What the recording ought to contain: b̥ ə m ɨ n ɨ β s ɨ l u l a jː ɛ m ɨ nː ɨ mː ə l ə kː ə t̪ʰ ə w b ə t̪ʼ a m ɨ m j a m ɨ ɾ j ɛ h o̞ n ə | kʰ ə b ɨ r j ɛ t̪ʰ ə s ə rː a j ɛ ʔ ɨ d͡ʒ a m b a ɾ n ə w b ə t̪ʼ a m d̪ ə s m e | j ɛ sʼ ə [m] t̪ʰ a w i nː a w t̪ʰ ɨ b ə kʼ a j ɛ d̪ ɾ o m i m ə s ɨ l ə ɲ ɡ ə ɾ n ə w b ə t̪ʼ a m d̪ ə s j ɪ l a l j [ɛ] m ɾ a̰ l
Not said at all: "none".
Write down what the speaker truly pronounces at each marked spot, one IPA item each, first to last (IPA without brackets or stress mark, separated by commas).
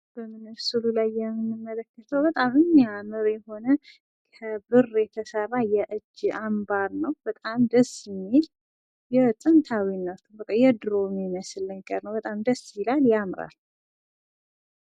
n, a